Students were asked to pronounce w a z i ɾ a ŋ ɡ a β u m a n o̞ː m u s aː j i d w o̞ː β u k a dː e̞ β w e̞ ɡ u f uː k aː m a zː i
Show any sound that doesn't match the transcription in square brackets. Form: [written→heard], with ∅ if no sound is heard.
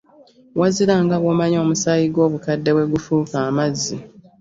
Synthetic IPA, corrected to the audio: w a z i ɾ a ŋ ɡ a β [u→o] m a [n→ɲ] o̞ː m u s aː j i [d→ɡ] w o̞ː β u k a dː e̞ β w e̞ ɡ u f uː k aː m a zː i